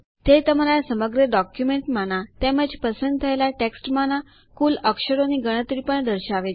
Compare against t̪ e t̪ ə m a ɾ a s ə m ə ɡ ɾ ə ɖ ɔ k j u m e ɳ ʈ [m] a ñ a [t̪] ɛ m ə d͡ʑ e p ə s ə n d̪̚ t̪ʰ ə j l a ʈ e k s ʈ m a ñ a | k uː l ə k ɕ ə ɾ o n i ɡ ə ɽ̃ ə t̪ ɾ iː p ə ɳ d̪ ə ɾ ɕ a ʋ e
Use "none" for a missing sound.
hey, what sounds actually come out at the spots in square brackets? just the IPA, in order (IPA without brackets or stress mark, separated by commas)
m, t̪